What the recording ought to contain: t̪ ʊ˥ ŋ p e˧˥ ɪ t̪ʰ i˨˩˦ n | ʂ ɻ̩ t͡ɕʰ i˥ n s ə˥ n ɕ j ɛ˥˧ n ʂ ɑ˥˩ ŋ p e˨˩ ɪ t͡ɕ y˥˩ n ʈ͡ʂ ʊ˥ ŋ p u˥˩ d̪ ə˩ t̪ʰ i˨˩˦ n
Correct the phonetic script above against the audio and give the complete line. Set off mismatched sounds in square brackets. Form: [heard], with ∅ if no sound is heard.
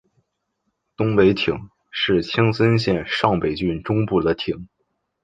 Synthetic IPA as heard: t̪ ʊ˥ ŋ p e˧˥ ɪ t̪ʰ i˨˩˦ [ŋ] | ʂ ɻ̩ t͡ɕʰ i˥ [ŋ] s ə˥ n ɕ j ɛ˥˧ n ʂ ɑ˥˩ ŋ p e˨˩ ɪ t͡ɕ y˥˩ n ʈ͡ʂ ʊ˥ ŋ p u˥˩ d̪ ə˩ t̪ʰ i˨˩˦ [ŋ]